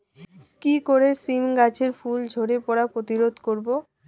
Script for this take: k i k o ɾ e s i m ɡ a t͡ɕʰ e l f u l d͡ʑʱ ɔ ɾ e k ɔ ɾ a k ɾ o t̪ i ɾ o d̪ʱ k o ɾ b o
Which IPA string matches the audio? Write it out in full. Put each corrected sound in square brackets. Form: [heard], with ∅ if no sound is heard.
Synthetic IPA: k i k o ɾ e s i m ɡ a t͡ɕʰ e [ɾ] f u l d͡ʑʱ [o] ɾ e [p] ɔ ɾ a [p] ɾ o t̪ i ɾ o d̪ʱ k o ɾ b o